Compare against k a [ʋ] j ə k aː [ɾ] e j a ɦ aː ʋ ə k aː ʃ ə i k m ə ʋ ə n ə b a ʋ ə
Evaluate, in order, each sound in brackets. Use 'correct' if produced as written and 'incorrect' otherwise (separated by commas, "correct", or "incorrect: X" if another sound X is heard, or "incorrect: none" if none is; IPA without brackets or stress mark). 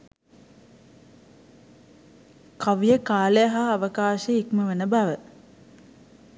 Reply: correct, incorrect: l